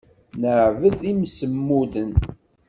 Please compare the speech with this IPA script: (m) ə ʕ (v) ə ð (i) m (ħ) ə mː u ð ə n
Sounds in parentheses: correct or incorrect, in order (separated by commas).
incorrect, correct, correct, incorrect